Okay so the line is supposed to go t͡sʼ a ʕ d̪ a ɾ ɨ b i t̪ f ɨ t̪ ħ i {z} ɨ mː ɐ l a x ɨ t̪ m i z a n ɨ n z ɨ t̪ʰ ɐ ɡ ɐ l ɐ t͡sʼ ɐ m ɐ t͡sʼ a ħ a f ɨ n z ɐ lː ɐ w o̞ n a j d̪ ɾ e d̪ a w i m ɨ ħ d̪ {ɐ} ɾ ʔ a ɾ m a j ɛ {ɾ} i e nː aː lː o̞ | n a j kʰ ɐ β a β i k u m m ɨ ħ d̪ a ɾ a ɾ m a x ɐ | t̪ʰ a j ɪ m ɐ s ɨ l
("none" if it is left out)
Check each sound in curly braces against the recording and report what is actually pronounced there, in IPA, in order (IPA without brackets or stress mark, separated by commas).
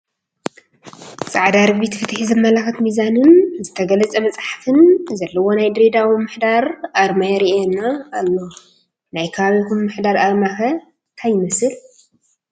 z, a, ɾ